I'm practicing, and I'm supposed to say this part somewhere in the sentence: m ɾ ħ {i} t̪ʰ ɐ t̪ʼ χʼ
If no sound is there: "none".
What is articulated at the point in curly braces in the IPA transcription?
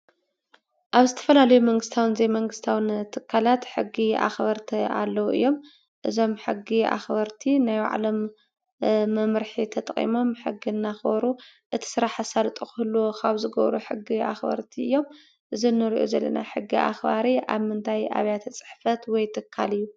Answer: i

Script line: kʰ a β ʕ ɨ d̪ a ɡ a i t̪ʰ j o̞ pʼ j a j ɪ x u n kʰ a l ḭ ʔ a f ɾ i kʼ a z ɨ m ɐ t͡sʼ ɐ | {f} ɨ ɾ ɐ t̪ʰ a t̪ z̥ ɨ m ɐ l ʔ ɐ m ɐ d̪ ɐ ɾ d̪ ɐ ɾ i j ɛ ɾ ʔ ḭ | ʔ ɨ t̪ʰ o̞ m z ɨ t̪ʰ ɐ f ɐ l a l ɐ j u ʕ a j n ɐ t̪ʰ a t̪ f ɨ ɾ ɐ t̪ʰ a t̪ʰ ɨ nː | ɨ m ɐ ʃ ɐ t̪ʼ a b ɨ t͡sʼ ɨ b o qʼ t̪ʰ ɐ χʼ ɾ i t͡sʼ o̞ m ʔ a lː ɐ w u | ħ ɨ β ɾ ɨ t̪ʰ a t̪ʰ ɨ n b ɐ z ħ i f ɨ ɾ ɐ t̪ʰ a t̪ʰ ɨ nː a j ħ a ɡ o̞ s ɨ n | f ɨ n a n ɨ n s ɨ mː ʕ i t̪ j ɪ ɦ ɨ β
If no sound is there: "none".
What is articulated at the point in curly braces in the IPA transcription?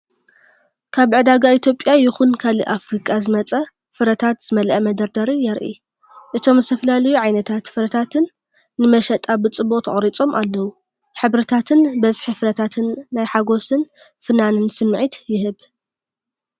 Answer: f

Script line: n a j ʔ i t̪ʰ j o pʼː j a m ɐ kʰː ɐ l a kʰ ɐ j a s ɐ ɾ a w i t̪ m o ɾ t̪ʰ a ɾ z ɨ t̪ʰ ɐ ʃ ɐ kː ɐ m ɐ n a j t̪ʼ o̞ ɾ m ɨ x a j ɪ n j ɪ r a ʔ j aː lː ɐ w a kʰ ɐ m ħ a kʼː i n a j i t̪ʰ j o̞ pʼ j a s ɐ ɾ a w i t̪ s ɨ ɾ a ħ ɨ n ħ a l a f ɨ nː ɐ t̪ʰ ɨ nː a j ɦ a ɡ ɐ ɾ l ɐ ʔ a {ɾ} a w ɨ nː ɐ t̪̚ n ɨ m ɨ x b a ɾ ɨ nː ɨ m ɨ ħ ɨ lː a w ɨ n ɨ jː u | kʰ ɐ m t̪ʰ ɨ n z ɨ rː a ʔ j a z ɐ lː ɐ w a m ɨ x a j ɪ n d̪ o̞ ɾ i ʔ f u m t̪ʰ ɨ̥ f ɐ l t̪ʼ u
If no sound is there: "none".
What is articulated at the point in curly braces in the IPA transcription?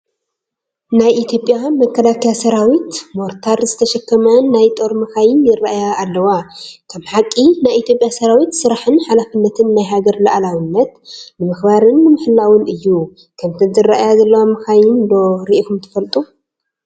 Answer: l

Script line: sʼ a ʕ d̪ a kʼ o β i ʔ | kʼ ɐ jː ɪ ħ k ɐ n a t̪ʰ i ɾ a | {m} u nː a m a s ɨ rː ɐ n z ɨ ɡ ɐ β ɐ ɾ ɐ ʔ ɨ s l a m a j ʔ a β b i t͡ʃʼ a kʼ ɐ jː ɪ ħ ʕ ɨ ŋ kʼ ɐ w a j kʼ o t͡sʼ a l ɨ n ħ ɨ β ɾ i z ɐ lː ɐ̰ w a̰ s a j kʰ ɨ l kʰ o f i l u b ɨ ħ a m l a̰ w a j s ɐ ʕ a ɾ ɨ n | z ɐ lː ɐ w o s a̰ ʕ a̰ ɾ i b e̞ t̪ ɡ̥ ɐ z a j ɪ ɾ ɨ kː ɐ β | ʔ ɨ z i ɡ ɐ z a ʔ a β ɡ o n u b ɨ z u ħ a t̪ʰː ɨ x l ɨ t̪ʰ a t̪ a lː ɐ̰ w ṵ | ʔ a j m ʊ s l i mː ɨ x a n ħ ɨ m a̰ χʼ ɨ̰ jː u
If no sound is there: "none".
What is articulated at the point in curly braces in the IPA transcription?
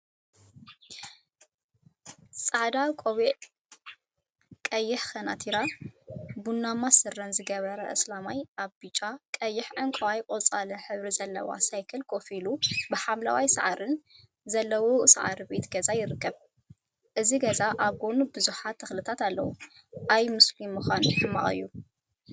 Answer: b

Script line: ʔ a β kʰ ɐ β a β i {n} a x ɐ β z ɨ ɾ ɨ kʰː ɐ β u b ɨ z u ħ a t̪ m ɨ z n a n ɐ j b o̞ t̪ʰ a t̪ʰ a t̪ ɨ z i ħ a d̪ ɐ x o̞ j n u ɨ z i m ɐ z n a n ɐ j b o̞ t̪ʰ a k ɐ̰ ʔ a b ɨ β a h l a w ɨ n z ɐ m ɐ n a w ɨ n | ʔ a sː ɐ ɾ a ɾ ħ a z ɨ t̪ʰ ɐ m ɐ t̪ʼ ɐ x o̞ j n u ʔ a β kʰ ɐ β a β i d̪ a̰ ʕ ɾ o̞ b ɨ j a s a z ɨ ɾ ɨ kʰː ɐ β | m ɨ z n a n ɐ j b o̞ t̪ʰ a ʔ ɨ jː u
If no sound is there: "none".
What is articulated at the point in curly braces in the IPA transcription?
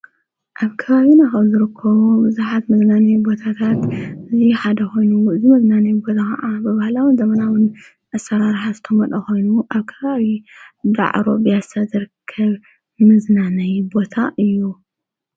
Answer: n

